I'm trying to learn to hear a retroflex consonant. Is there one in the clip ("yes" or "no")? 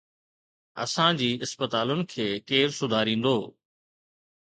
no